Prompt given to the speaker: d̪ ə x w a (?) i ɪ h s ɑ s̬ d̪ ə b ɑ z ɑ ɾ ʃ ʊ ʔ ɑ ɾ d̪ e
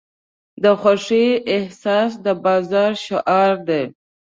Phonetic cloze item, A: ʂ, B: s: A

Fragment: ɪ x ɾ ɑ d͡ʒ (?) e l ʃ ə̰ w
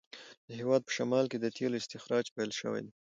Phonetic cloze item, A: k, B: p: B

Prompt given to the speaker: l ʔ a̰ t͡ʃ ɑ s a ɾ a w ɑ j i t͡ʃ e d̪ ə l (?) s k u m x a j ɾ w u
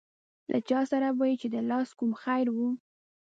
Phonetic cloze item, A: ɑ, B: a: A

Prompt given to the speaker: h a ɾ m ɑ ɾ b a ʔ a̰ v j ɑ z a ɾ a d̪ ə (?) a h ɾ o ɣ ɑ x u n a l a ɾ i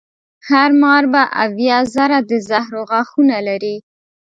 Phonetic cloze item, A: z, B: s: A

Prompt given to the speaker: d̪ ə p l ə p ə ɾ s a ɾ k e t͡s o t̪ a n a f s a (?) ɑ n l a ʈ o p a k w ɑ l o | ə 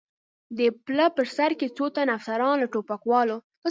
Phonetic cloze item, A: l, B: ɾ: B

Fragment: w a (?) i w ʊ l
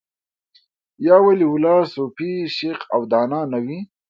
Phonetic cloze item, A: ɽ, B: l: B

